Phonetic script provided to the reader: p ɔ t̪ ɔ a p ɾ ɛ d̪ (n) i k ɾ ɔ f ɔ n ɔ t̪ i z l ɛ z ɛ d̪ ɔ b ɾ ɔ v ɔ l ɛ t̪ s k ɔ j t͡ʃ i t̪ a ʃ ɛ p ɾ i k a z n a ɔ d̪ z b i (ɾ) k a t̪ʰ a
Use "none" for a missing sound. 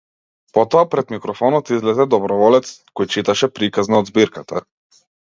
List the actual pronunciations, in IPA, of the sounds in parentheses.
m, ɾ

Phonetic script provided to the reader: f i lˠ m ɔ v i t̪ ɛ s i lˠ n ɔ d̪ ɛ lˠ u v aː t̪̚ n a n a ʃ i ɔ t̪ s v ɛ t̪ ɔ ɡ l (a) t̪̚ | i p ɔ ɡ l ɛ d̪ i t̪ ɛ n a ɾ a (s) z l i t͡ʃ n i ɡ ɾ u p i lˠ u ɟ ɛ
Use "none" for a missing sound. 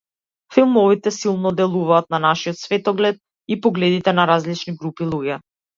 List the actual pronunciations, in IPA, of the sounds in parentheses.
ɛ, none

